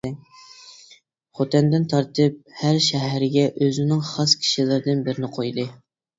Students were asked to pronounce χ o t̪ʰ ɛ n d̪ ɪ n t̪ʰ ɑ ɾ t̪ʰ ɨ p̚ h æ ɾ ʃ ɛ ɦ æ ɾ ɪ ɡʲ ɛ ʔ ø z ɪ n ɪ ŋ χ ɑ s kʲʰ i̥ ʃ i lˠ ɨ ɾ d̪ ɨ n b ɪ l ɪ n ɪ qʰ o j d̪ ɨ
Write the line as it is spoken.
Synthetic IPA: χ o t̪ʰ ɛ n d̪ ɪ n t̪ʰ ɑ ɾ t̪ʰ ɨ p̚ h æ ɾ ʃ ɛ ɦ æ ɾ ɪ ɡʲ ɛ ʔ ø z ɪ n ɪ ŋ χ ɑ s kʲʰ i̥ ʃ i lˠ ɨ ɾ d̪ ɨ n b ɪ ɾ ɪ n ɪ qʰ o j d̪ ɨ